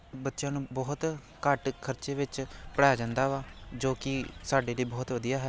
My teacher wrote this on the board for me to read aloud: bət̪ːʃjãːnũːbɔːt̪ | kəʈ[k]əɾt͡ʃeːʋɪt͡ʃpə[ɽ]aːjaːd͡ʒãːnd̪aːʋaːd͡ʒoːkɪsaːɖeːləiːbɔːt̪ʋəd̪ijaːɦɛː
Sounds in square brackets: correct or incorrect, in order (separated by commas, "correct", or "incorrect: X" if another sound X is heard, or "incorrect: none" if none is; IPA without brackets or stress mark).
incorrect: kʰ, correct